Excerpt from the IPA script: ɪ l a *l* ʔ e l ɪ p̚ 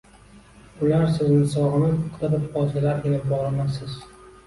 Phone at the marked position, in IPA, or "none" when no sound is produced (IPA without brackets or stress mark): ɾ